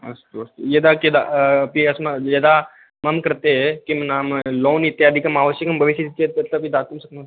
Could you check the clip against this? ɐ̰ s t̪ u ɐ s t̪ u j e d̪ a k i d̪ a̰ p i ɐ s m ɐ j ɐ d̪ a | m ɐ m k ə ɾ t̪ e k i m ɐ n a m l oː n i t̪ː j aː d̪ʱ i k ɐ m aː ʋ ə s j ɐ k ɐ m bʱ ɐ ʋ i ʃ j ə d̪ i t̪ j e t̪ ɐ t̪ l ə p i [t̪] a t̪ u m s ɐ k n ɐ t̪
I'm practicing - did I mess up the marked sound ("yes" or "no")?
yes